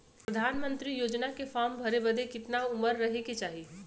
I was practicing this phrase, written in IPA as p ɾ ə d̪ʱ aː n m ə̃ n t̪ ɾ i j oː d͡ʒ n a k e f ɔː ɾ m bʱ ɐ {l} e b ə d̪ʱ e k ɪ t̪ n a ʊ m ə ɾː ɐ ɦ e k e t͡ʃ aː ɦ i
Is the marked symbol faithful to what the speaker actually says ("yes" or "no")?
no